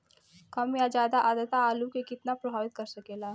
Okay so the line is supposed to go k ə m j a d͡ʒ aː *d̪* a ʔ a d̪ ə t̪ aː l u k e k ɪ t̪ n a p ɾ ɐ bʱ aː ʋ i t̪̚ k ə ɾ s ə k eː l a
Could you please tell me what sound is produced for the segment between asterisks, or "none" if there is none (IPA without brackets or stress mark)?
d̪